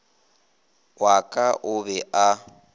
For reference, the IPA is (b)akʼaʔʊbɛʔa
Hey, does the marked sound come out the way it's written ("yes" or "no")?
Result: no